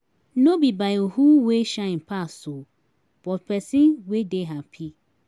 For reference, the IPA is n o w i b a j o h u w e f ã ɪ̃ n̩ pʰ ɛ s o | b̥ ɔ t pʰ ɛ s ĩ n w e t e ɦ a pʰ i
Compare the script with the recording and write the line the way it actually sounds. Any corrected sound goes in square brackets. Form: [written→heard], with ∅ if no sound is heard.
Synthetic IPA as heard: n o [w→b] i b a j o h u w e [f→ʃ] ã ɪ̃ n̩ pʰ [ɛ→a] s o | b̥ ɔ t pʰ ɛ s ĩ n w e [t→d] e ɦ a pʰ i